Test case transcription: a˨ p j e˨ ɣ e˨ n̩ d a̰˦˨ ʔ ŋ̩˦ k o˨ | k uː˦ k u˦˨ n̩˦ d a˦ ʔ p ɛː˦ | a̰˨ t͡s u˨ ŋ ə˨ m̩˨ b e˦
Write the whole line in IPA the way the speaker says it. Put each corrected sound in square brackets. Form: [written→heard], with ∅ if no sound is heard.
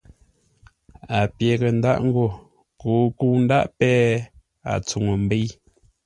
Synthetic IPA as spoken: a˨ p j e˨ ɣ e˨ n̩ d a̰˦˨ ʔ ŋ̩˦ [k→ɡ] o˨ | k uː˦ k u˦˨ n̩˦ d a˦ ʔ p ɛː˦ | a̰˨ t͡s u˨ ŋ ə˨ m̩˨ b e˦